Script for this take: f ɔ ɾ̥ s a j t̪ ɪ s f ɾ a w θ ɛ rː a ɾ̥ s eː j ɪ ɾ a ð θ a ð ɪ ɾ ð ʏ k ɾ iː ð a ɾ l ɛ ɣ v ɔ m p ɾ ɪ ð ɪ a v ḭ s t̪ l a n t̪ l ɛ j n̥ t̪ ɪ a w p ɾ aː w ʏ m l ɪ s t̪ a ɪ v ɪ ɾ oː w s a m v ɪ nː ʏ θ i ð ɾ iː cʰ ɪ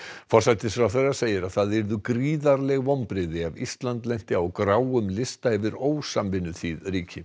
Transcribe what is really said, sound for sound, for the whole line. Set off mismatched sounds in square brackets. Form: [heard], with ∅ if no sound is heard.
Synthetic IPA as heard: f ɔ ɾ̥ s a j t̪ ɪ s f ɾ a w θ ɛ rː a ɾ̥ s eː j ɪ ɾ a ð θ a ð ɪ ɾ ð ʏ k ɾ iː ð a ɾ l ɛ ɣ v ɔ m p ɾ ɪ ð ɪ a v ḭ s t̪ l a n t̪ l ɛ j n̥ t̪ ɪ a w [k] ɾ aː w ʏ m l ɪ s t̪ a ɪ v ɪ ɾ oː w s a m v ɪ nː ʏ θ i ð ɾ iː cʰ ɪ